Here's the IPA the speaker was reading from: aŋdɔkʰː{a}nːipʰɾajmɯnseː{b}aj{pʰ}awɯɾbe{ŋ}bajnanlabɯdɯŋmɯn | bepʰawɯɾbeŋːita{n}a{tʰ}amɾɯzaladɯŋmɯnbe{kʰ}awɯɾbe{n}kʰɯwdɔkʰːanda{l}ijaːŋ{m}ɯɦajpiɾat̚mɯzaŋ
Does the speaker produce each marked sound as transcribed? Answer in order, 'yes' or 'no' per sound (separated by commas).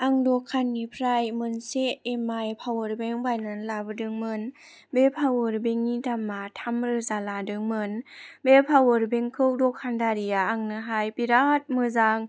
yes, no, yes, yes, no, yes, no, no, no, no